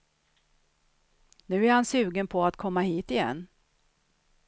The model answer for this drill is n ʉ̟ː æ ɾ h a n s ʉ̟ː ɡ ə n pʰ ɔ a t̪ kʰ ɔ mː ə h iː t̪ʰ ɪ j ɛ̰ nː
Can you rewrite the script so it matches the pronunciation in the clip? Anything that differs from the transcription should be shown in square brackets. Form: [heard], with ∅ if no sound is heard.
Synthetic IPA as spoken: n ʉ̟ː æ ɾ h a n s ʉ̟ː ɡ ə n pʰ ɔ a t̪ kʰ ɔ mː [a] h iː [t̪] ɪ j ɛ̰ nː